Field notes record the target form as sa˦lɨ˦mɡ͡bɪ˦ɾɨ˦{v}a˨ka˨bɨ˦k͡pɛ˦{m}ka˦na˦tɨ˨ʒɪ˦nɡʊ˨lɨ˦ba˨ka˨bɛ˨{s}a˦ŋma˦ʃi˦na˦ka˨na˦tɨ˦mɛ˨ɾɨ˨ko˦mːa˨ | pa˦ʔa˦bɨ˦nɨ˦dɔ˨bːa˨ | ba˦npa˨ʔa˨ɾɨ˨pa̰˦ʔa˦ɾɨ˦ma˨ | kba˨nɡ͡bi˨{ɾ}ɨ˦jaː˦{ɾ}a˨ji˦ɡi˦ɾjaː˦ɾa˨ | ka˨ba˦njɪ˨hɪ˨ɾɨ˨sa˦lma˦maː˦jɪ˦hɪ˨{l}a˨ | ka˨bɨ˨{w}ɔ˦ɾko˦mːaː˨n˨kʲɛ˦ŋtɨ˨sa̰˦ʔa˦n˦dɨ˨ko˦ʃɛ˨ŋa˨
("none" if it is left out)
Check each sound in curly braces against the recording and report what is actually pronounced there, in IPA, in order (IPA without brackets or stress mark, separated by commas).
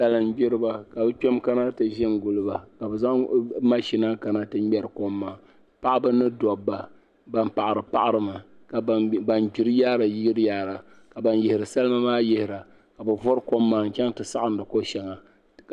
b, m, z, ɾ, ɾ, ɾ, v